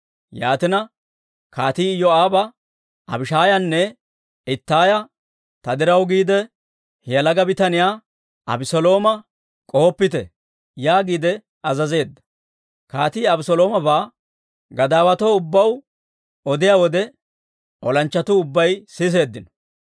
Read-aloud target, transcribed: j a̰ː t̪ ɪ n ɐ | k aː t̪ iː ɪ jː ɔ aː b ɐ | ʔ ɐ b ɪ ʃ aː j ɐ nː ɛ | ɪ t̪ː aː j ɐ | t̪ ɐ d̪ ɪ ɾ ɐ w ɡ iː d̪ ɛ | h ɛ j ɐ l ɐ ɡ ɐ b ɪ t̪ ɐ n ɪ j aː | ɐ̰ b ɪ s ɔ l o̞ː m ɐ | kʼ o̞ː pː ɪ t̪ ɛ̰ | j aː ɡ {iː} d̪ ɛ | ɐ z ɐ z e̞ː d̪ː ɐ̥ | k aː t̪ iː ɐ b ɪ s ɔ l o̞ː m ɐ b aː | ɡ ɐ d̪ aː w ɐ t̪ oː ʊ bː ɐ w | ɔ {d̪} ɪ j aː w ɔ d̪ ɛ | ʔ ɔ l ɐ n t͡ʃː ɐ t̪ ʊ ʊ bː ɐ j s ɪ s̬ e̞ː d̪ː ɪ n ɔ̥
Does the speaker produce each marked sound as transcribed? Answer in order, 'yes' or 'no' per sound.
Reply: yes, yes

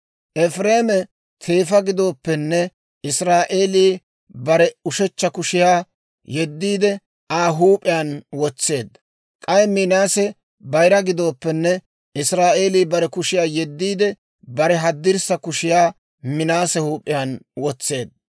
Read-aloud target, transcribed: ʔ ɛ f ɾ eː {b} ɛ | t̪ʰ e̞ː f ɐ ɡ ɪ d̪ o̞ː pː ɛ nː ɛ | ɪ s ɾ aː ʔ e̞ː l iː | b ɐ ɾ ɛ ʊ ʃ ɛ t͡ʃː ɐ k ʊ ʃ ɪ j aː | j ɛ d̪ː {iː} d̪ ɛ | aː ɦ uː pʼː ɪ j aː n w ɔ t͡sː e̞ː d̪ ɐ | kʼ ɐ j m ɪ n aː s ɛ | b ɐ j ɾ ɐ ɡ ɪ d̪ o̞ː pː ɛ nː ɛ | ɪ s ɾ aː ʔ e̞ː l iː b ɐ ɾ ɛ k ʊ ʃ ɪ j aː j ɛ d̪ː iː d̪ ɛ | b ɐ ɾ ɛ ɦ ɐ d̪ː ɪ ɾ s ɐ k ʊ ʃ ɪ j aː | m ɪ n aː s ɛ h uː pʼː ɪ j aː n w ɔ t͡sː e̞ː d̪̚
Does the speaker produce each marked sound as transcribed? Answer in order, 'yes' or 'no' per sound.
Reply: no, yes

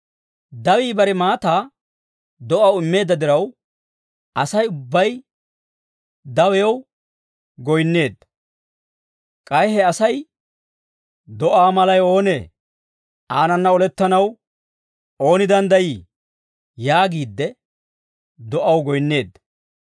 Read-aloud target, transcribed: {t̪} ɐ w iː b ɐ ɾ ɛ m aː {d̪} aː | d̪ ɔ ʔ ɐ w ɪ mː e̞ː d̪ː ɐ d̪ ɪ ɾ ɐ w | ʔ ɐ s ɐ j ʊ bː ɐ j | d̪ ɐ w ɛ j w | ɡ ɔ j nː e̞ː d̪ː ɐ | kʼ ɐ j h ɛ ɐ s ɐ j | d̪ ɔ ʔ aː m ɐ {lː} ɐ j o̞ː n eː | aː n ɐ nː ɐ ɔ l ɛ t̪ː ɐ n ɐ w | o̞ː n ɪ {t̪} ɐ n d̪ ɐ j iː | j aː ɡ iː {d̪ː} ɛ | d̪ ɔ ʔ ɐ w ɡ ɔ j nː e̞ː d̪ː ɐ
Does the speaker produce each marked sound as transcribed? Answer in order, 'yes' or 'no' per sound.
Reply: no, no, no, no, yes

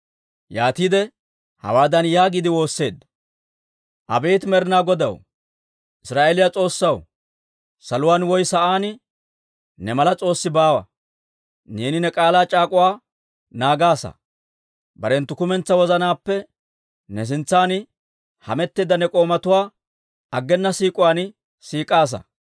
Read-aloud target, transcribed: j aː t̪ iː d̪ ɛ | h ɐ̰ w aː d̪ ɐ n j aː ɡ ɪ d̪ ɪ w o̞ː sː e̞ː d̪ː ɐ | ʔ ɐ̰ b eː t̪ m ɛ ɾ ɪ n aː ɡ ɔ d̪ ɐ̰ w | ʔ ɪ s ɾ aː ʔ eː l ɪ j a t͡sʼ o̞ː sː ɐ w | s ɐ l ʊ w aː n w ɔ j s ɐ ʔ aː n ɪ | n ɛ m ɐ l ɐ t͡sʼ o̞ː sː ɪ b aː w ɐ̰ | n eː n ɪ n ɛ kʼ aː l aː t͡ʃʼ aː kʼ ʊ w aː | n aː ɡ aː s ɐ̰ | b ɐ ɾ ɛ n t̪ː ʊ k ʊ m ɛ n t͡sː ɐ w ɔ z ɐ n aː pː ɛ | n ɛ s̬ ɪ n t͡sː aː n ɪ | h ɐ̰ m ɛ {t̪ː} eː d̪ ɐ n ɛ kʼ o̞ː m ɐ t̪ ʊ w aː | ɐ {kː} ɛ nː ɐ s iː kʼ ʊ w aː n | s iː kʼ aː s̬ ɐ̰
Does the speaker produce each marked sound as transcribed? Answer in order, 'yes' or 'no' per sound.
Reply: yes, no

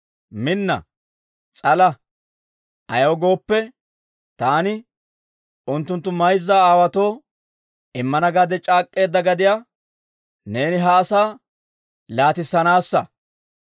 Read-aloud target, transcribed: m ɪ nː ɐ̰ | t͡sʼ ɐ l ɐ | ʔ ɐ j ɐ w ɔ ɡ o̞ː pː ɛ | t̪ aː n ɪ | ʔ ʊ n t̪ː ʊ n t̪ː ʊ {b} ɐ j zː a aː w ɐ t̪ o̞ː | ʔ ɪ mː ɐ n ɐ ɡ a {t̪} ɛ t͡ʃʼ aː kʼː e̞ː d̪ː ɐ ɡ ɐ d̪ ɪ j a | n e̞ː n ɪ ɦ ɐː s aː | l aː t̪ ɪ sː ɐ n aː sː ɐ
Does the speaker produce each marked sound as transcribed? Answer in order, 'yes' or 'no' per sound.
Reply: no, no

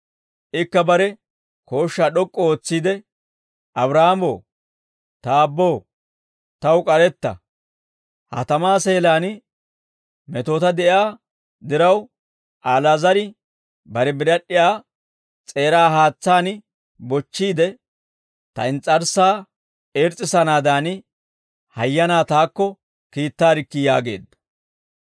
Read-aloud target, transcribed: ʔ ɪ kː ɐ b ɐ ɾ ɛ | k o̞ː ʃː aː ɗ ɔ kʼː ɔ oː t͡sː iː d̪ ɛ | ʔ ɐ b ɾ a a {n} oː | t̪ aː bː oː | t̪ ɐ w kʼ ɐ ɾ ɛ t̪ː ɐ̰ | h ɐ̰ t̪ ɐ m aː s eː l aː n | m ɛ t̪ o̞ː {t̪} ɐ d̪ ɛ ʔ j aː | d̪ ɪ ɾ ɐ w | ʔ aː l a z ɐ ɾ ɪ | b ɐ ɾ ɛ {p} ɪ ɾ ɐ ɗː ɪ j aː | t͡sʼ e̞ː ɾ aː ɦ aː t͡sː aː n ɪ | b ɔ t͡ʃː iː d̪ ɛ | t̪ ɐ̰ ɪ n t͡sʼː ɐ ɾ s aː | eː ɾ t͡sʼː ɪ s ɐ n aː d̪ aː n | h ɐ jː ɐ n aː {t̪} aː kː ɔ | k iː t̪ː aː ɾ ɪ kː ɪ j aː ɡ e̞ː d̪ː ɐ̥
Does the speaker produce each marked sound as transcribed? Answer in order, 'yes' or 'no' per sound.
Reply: no, yes, no, yes

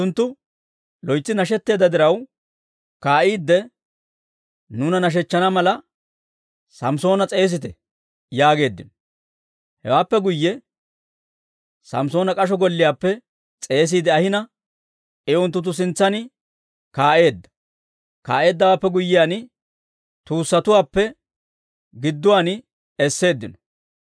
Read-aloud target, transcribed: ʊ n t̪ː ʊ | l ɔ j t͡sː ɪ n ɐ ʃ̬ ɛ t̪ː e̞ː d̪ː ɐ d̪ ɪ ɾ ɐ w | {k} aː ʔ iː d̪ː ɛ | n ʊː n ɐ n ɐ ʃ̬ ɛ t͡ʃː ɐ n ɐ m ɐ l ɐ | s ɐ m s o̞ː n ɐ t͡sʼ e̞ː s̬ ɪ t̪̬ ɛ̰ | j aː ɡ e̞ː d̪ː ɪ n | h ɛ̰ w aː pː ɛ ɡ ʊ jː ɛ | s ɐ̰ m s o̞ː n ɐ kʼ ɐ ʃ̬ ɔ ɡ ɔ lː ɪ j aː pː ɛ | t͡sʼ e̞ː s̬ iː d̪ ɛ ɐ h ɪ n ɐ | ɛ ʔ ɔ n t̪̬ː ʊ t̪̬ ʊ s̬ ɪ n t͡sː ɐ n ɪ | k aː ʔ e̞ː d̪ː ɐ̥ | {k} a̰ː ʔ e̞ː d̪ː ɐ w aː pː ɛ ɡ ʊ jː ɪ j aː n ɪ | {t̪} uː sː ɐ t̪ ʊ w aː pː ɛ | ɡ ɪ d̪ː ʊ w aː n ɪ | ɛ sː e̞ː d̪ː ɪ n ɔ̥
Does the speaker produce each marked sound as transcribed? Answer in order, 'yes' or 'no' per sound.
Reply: yes, yes, yes

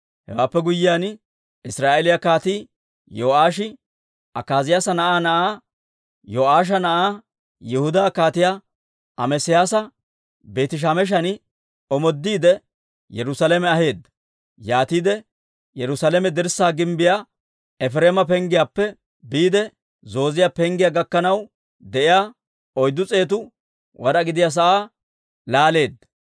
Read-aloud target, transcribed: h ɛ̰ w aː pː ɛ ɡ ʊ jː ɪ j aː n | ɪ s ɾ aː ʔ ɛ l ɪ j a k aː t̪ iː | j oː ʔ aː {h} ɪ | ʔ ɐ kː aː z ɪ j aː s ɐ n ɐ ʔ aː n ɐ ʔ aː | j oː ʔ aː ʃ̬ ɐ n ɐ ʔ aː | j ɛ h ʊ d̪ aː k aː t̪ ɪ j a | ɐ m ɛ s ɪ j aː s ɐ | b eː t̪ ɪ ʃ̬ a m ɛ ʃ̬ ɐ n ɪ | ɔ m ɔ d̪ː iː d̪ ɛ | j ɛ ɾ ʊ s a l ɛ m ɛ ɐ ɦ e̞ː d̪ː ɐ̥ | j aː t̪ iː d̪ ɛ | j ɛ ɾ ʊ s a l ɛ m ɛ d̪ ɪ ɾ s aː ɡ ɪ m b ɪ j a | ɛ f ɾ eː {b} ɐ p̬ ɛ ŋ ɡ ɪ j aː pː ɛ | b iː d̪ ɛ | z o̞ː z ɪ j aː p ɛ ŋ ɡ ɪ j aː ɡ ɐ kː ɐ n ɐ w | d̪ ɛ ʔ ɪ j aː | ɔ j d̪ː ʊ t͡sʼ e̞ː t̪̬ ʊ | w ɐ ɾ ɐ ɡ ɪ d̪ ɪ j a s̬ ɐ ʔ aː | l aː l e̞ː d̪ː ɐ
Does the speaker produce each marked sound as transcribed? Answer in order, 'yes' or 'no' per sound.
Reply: no, no

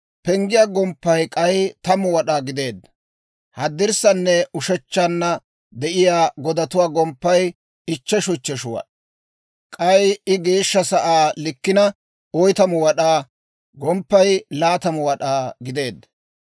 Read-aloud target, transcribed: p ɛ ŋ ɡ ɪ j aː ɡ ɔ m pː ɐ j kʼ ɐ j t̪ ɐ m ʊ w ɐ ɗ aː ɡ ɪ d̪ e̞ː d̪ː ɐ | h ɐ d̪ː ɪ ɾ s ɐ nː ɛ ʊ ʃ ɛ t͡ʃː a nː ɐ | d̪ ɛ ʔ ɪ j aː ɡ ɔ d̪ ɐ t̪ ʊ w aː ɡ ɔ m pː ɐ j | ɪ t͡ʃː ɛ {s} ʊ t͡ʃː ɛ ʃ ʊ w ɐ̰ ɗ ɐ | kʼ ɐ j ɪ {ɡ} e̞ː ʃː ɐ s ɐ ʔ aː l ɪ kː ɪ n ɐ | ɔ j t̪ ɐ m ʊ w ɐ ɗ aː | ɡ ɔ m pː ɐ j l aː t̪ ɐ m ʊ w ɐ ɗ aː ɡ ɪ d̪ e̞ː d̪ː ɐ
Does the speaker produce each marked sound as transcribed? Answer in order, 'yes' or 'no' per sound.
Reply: no, yes

